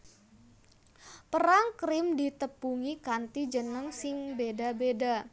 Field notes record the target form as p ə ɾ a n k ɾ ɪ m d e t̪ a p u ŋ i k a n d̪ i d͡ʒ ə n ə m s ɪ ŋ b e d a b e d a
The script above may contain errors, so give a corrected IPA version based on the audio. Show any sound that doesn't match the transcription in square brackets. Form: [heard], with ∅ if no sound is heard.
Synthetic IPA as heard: p ə ɾ a [ŋ] k ɾ ɪ m d [i] t̪ [ə] p u ŋ i k a n [t̪] i d͡ʒ ə n ə [ŋ] s ɪ ŋ b e d a b e d a